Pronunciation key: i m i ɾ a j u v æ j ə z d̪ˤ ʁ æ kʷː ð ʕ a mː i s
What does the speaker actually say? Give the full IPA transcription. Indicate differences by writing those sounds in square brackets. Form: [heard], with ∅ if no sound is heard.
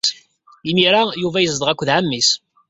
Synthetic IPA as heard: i m i ɾ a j u v æ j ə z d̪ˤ ʁ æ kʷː ð ʕ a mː i s